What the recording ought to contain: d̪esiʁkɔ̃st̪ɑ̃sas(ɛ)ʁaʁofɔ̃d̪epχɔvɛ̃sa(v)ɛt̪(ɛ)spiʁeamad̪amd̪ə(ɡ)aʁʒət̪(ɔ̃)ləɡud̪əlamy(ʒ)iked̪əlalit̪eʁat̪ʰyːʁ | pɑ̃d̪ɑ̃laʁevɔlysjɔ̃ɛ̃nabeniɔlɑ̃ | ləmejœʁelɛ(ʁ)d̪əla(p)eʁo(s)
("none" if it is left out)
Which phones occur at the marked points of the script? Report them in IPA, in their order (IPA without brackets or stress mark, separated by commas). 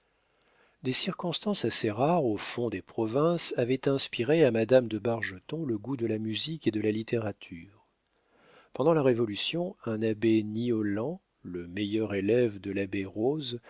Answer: e, v, ɛ̃, b, ɔ̃, z, v, b, z